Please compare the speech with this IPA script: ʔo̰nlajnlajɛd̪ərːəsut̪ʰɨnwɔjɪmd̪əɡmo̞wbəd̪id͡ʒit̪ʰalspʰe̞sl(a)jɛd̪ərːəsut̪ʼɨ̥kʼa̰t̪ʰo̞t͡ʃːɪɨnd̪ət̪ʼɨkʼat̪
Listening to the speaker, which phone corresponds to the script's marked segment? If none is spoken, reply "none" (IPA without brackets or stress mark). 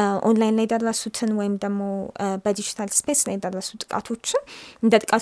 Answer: a